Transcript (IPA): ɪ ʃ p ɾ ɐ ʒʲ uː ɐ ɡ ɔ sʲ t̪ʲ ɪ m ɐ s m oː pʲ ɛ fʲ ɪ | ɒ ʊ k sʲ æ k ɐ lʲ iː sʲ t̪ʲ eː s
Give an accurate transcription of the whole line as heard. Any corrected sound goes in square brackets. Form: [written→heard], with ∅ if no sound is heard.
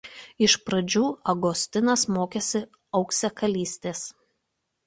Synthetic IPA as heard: ɪ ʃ p ɾ ɐ [ʒʲ→d͡ʒʲ] uː ɐ ɡ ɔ sʲ t̪ʲ ɪ [m→n] ɐ s m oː [pʲ→kʲ] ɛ [fʲ→sʲ] ɪ | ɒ ʊ k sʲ [æ→ɛ] k ɐ lʲ iː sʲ t̪ʲ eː s